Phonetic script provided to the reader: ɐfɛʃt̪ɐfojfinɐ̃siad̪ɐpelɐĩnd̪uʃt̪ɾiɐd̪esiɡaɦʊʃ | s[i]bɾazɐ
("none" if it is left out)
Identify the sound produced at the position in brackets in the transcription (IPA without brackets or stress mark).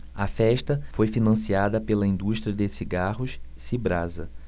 i